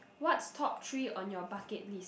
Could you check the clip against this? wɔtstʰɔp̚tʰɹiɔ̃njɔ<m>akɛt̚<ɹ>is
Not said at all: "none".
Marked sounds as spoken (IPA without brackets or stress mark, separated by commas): b, l